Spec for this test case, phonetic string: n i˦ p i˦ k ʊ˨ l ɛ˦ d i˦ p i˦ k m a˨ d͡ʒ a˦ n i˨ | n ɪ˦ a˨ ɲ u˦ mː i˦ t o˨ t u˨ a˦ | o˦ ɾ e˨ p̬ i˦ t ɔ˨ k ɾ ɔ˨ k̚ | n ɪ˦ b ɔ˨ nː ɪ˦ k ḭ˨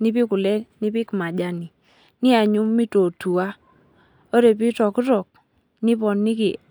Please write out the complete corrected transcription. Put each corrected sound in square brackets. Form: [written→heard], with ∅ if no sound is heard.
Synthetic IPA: n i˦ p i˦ k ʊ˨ l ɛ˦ [d→n] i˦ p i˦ k m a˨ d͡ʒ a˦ n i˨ | n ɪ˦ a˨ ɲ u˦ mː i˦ t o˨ t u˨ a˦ | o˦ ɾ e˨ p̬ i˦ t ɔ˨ k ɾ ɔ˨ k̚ | n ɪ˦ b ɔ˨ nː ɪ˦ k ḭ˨